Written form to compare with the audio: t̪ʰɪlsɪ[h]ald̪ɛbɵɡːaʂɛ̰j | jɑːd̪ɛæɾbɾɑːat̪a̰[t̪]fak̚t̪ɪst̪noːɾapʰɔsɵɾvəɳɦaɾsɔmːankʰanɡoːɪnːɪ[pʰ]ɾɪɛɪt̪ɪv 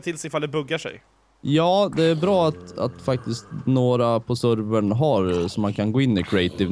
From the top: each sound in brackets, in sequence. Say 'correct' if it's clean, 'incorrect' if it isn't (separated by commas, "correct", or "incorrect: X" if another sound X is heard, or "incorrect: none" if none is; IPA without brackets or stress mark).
incorrect: f, correct, incorrect: kʰ